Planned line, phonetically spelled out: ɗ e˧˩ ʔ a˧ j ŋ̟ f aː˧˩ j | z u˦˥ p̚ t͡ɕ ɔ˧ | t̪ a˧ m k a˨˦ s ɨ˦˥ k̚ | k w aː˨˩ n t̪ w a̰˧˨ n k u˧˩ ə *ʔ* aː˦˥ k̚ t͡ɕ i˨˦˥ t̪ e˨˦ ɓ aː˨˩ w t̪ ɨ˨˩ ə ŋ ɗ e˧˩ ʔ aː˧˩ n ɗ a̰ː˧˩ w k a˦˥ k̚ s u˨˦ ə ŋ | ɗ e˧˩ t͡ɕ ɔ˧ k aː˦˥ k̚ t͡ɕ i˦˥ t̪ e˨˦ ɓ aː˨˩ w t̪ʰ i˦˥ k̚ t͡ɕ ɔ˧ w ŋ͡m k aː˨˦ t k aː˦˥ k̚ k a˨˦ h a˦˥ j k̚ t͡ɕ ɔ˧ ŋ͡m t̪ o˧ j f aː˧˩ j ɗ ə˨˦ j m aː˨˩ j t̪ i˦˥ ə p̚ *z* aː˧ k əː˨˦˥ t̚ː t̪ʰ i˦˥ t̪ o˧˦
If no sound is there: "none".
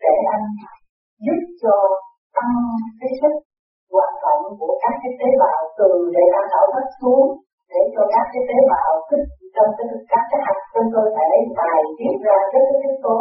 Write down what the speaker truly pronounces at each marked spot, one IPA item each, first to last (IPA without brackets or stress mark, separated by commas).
k, z